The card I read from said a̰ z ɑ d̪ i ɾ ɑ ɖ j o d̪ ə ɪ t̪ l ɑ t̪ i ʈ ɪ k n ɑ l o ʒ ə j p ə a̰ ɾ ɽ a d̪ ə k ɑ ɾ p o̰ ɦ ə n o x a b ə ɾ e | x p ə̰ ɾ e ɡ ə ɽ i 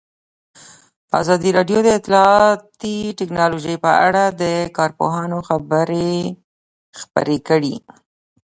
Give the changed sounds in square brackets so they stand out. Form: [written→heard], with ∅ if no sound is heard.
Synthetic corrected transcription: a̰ z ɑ d̪ i ɾ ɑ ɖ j o d̪ ə ɪ t̪ l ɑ t̪ i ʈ ɪ k n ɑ l o ʒ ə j p ə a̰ [ɾ→∅] ɽ a d̪ ə k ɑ ɾ p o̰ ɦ [ə→ɑ] n o x a b ə ɾ e | x p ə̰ ɾ e [ɡ→k] ə ɽ i